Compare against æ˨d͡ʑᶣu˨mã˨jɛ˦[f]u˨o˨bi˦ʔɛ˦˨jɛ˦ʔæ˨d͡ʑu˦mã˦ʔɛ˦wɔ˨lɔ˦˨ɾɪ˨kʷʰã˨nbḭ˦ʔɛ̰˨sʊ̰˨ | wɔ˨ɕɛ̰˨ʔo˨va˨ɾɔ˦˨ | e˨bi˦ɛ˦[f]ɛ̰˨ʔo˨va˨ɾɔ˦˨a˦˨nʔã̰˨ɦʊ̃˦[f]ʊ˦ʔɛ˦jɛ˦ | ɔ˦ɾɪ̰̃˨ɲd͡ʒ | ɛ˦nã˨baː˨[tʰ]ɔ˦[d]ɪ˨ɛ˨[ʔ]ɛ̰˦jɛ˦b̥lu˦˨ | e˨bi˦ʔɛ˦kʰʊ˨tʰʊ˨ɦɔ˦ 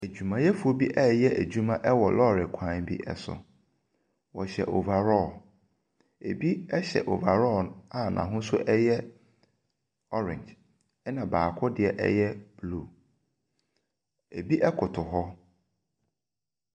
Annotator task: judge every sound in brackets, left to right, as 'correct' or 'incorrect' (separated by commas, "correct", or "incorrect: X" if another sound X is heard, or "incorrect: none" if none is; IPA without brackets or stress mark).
correct, incorrect: ɕ, incorrect: s, incorrect: kʰ, correct, correct